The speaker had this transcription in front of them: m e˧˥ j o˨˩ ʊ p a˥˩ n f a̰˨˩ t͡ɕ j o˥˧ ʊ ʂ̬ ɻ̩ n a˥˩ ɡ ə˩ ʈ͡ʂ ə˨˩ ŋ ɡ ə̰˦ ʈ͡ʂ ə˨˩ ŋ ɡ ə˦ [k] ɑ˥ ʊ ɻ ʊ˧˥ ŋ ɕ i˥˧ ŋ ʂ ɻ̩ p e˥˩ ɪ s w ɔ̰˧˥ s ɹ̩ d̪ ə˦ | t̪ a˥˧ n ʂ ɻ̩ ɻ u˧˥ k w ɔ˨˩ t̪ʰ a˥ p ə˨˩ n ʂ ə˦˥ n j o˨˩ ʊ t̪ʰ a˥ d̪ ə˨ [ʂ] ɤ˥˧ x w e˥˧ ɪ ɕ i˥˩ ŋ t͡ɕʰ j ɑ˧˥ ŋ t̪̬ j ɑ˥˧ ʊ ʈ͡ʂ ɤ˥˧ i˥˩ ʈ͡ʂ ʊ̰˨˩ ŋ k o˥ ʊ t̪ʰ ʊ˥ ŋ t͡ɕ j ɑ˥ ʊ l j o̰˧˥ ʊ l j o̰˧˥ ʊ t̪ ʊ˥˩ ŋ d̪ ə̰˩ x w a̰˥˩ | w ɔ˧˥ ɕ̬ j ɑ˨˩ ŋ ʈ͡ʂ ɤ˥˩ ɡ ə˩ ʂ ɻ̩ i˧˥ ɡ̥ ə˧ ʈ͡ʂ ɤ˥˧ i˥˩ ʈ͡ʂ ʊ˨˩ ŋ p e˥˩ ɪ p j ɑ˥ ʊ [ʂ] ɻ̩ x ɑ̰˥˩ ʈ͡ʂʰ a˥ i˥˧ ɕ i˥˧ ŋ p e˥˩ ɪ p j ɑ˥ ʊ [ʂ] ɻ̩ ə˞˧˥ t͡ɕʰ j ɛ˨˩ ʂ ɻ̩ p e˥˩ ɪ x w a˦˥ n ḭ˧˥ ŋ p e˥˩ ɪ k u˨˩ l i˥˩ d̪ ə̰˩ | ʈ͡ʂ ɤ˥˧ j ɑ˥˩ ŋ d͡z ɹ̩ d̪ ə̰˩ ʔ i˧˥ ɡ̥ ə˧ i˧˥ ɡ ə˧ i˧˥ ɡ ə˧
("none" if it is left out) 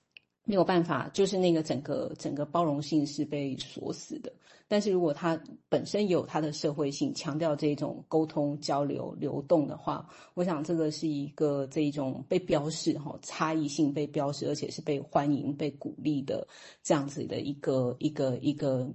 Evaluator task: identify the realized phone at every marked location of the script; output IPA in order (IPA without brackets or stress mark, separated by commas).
p, ʂ, ʂ, ʂ